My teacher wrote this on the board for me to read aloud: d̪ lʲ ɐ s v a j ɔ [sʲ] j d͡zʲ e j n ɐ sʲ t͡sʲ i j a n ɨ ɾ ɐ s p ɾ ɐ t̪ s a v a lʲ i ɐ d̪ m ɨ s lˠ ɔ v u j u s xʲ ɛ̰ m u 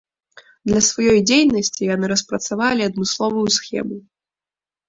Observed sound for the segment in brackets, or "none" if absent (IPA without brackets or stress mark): none